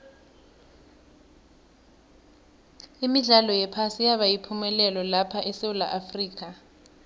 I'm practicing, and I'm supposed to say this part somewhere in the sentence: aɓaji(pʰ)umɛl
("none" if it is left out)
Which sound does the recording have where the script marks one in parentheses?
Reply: pʰ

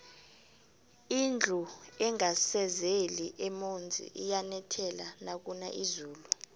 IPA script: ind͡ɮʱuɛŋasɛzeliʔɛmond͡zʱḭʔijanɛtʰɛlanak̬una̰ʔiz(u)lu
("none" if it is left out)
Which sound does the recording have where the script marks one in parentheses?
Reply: uː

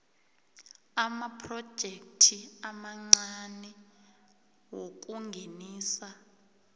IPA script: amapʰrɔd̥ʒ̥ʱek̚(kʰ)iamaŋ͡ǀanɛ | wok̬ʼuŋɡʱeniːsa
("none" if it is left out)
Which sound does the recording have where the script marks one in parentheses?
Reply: tʰ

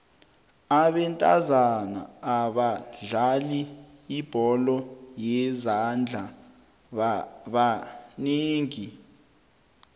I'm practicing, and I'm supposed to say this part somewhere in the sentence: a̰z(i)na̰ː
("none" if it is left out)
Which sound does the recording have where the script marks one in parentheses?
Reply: a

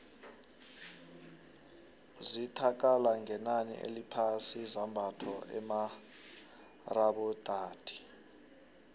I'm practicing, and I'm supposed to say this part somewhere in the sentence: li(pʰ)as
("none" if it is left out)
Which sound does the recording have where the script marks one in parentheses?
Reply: pʰ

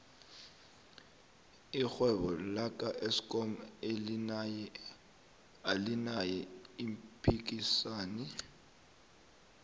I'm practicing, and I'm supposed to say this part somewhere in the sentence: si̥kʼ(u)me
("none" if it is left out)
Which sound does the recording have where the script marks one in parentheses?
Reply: ɔ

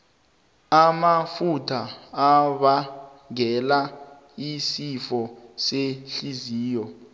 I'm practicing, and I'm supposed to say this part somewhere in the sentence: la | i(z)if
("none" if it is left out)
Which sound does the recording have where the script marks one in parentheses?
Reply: s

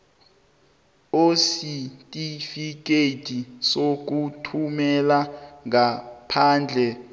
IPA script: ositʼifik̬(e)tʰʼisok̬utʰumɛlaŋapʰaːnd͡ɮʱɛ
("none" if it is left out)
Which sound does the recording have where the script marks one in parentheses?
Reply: e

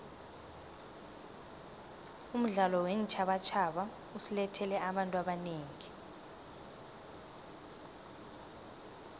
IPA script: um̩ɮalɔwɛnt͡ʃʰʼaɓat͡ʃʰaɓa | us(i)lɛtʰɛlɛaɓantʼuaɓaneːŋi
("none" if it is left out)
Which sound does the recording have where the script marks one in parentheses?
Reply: i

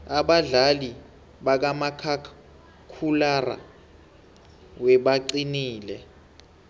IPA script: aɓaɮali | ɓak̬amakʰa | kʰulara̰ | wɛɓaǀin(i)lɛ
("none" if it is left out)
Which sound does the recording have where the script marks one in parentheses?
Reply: iː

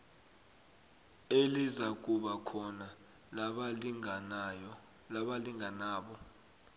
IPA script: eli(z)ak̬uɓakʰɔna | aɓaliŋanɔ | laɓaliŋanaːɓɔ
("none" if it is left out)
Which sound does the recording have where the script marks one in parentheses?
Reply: z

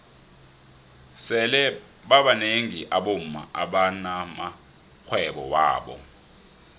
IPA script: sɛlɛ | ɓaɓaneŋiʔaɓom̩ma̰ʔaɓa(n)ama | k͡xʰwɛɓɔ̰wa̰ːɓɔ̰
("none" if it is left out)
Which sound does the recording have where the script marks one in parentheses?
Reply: n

